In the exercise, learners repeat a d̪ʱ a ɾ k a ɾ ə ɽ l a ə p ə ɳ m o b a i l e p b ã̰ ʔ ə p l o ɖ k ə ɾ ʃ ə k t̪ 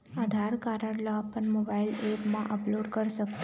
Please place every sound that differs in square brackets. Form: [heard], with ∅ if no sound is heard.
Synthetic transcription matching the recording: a d̪ʱ a ɾ k a ɾ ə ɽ l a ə p ə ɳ m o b a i l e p [m] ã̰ ʔ ə p l o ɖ k ə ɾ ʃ ə k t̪

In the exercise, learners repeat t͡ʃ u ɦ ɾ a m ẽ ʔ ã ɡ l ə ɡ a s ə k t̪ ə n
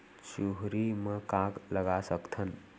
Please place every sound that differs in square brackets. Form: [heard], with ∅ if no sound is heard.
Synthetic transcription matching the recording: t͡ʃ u ɦ ɾ [i] m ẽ [k] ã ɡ l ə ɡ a s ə k [t̪ʰ] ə n

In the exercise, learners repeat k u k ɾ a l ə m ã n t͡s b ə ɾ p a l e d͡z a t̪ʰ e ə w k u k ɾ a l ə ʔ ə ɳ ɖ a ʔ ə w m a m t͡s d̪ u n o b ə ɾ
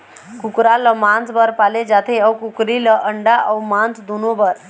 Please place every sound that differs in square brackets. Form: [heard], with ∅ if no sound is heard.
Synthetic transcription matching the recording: k u k ɾ a l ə m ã n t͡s b ə ɾ p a l e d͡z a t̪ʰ e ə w k u k ɾ [i] l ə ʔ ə ɳ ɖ a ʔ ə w m a [n] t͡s d̪ u n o b ə ɾ

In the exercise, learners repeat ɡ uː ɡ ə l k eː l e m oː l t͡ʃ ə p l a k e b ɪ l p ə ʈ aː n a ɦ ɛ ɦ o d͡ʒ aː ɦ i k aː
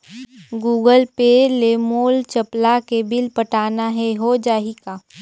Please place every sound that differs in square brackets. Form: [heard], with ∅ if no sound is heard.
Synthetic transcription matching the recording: ɡ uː ɡ ə l [p] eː l e m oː l t͡ʃ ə p l a k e b ɪ l p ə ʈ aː n a ɦ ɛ ɦ o d͡ʒ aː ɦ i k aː

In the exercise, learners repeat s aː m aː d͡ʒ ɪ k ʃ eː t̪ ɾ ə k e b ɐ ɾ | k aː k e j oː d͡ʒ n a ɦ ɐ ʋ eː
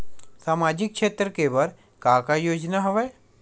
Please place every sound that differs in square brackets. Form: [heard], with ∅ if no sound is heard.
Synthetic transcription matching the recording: s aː m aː d͡ʒ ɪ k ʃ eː t̪ ɾ ə k e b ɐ ɾ | k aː k [a] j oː d͡ʒ n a ɦ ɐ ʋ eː

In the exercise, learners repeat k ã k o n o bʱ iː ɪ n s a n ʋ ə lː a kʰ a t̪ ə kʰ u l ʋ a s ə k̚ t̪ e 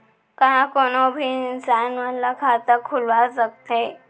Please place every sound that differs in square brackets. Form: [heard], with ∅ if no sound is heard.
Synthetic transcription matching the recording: k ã k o n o bʱ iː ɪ n s a n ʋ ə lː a kʰ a t̪ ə kʰ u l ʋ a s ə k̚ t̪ e

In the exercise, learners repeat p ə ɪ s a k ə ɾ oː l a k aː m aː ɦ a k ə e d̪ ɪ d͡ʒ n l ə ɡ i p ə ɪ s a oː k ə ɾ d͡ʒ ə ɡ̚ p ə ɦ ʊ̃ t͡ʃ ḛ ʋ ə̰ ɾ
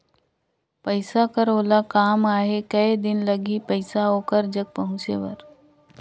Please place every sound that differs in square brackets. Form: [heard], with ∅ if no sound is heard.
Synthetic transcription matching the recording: p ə ɪ s a k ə ɾ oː l a k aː m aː ɦ [e] k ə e d̪ ɪ [∅] n l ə ɡ i p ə ɪ s a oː k ə ɾ d͡ʒ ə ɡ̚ p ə ɦ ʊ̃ t͡ʃ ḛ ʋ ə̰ ɾ

